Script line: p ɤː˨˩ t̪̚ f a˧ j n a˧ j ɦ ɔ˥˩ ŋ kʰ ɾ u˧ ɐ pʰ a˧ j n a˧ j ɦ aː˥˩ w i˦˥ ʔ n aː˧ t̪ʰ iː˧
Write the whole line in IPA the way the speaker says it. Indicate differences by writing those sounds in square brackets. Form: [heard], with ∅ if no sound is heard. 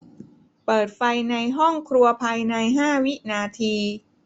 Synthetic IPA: p ɤː˨˩ t̪̚ f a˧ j n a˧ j ɦ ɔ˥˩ ŋ kʰ ɾ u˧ ɐ pʰ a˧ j n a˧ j ɦ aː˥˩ w i˦˥ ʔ n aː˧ t̪ʰ iː˧